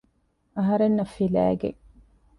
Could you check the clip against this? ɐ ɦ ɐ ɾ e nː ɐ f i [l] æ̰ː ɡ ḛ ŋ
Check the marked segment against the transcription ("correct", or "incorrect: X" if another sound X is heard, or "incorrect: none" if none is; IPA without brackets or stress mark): correct